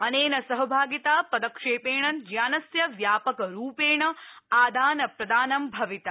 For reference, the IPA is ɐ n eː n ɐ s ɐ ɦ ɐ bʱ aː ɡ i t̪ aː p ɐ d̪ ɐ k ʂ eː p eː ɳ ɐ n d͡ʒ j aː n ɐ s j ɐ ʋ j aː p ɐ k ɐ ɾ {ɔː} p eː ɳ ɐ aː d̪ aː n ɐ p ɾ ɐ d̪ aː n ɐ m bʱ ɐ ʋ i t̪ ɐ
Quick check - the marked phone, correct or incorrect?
incorrect